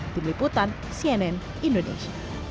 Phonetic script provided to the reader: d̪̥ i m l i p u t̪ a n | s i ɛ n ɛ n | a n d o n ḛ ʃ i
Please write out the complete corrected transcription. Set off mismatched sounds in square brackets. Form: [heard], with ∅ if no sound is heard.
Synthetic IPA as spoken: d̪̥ i m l i p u t̪ a n | s i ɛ n ɛ n | [i] n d o n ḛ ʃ [a]

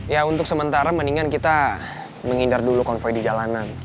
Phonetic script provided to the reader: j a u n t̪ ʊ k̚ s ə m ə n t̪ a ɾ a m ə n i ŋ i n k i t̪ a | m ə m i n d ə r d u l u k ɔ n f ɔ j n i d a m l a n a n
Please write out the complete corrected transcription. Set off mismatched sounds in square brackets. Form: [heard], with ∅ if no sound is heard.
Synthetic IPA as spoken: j a u n t̪ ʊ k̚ s ə m ə n t̪ a ɾ a m ə n i ŋ [a] n k i t̪ a | m ə [ŋ] i n d [a] r d u l u k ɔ n f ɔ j [d] i [d͡ʒ] a [∅] l a n a n

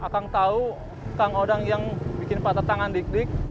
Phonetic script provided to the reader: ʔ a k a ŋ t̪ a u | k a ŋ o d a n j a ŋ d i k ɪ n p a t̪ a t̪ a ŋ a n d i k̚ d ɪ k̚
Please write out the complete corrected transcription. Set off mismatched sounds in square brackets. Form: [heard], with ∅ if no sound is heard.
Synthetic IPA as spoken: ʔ a k a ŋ t̪ a u | k a ŋ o d a [ŋ] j a ŋ [b] i k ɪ n p a t̪ a t̪ a ŋ a n d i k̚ d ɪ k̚

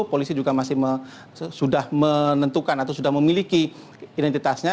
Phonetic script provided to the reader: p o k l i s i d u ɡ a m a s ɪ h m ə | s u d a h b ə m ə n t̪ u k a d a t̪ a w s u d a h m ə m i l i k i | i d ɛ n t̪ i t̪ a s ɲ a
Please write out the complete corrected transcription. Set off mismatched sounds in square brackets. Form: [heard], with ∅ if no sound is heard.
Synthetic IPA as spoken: p o [∅] l i s i [d͡ʒ] u ɡ a m a s ɪ h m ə | s u d a h [m] ə [n] ə n t̪ u k a [n] a t̪ a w s u d a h m ə m i l i k i | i d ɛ n t̪ i t̪ a s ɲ a

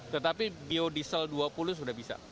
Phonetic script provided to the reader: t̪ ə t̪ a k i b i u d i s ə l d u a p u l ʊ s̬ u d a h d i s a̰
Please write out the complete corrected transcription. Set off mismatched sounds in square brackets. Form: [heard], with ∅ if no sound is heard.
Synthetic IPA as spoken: t̪ ə t̪ a [p] i b i [o] d i s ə l d u a p u l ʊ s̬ u d a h [b] i s a̰

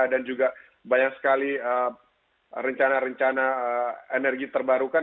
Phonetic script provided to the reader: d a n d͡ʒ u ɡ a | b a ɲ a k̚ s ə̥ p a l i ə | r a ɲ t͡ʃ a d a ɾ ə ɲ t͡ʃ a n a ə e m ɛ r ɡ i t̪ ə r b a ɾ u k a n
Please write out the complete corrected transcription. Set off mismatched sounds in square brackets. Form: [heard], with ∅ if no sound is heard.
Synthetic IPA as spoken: d a n d͡ʒ u ɡ a | b a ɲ a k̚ s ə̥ [k] a l i ə | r [ə] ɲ t͡ʃ a [n] a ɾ ə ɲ t͡ʃ a n a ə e [n] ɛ r ɡ i t̪ ə r b a ɾ u k a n

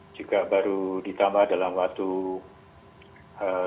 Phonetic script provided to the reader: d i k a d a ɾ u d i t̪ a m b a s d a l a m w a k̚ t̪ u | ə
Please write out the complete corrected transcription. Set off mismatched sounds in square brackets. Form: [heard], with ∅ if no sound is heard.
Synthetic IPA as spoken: [d͡ʒ] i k a [b] a ɾ u d i t̪ a m b a [h] d a l a m w a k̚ t̪ u | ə

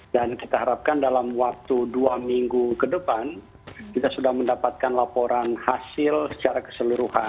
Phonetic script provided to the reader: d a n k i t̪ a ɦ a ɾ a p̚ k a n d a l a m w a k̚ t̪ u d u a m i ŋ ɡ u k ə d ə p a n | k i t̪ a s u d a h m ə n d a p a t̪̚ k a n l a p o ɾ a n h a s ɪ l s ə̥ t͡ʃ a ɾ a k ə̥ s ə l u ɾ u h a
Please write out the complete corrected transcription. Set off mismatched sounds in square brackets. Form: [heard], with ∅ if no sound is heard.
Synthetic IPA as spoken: d a n k i t̪ a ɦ a ɾ a p̚ k a n d a l a m w a k̚ t̪ u d u a m i ŋ ɡ u k ə d ə p a n | k i t̪ a s u d a h m ə n d a p a t̪̚ k a n l a p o ɾ a n h a s ɪ l s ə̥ t͡ʃ a ɾ a k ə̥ s ə l u ɾ u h a

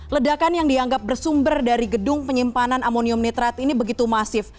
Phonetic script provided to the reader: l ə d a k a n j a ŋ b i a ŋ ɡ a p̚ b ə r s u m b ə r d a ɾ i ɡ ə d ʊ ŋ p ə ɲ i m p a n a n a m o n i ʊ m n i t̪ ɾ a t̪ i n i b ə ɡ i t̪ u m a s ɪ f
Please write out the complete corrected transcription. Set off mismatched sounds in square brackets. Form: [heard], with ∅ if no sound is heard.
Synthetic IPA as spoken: l ə d a k a n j a ŋ [d] i a ŋ ɡ a p̚ b ə r s u m b ə r d a ɾ i ɡ ə d ʊ ŋ p ə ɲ i m p a n a n a m o n i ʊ m n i t̪ ɾ a t̪ i n i b ə ɡ i t̪ u m a s ɪ f

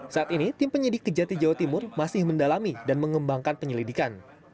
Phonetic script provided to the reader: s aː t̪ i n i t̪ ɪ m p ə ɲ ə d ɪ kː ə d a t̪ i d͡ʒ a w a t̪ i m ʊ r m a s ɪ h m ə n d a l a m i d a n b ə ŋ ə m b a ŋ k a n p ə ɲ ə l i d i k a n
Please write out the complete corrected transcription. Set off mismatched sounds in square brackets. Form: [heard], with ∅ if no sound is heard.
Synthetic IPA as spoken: s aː t̪ i n i t̪ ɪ m p ə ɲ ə d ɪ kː ə [d͡ʒ] a t̪ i d͡ʒ a w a t̪ i m ʊ r m a s ɪ h m ə n d a l a m i d a n [m] ə ŋ ə m b a ŋ k a n p ə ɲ ə l i d i k a n

